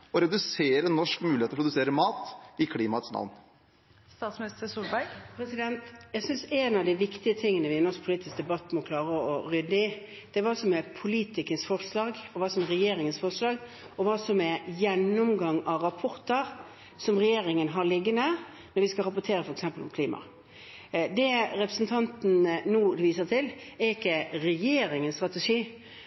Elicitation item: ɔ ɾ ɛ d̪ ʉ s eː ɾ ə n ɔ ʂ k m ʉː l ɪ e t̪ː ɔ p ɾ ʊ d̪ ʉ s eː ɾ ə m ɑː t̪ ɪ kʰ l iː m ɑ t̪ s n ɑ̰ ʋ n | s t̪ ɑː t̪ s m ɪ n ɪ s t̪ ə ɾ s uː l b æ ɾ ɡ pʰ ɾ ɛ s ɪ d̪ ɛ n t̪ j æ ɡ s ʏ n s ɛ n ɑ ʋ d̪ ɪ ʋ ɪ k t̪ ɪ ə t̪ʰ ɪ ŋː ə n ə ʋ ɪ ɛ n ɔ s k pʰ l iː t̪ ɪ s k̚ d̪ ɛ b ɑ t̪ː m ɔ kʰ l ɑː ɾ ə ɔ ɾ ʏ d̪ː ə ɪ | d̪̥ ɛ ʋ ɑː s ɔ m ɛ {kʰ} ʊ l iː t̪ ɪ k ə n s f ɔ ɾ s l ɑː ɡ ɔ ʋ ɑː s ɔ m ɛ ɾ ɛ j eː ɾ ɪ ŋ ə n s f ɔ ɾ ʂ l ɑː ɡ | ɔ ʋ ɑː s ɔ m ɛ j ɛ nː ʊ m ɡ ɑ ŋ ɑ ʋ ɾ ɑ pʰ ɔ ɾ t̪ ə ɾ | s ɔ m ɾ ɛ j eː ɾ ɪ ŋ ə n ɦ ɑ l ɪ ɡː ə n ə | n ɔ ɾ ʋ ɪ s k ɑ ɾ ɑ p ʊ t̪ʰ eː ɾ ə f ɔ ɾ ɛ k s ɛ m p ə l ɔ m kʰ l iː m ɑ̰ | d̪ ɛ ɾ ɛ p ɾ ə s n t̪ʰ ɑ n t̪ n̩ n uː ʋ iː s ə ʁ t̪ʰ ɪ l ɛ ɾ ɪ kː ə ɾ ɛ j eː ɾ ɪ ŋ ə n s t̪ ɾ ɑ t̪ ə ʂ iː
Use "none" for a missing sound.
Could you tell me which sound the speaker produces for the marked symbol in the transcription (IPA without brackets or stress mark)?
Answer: pʰ